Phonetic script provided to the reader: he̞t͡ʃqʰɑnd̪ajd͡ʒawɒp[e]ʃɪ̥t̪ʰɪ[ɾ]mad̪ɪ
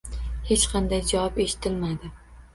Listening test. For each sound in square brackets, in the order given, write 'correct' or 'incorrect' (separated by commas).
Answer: correct, incorrect